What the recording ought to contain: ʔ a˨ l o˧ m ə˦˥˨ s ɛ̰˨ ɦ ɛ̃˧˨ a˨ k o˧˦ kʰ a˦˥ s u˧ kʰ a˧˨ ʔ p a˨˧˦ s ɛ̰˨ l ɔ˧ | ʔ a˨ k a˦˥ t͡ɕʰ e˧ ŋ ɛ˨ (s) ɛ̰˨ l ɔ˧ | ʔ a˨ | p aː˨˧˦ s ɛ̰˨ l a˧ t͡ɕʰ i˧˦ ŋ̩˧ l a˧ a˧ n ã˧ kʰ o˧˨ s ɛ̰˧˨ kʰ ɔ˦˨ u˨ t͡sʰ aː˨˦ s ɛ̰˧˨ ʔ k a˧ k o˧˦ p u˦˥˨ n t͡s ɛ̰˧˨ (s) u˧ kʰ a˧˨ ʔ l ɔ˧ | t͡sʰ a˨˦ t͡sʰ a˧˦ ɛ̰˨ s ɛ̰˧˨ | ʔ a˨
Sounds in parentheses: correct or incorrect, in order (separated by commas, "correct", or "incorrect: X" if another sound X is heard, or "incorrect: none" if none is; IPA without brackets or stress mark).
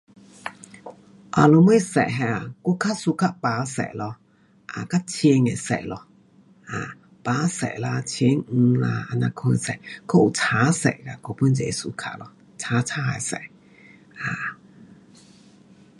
correct, correct